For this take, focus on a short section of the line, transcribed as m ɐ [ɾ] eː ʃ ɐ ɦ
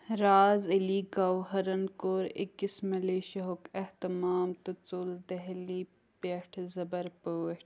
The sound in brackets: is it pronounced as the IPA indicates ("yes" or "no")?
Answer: no